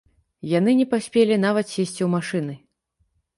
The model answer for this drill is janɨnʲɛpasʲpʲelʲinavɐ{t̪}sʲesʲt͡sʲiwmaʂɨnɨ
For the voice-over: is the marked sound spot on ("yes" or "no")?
yes